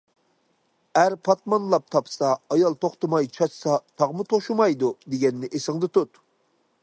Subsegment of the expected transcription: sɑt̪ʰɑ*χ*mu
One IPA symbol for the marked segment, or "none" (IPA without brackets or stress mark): ʁ